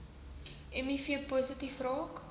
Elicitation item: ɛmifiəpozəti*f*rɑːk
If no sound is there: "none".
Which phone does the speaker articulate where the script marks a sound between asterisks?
f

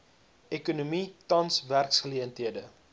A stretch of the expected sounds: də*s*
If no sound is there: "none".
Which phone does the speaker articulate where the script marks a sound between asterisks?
none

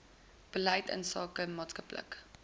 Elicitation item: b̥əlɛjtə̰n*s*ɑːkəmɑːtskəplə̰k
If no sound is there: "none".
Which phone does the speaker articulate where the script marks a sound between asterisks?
s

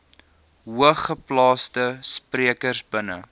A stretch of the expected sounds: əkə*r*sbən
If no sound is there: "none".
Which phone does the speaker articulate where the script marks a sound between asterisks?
r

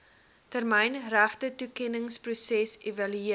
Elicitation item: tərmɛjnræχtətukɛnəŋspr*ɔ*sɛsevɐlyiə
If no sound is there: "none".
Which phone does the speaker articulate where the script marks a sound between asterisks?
u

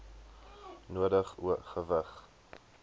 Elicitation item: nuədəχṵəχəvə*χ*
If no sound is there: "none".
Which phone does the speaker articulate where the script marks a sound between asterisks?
χ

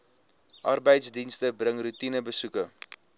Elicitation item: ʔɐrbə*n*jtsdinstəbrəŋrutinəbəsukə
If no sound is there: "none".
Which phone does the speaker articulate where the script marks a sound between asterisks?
none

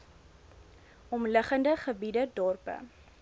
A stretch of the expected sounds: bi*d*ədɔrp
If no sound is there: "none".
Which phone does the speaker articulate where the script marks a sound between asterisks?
d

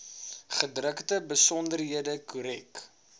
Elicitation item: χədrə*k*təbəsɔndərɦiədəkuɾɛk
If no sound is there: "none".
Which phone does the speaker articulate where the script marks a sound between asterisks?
k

